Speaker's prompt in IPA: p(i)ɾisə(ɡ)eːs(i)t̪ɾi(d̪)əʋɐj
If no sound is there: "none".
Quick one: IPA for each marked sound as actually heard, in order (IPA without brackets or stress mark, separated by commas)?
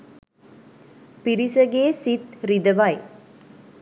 i, ɡ, i, d̪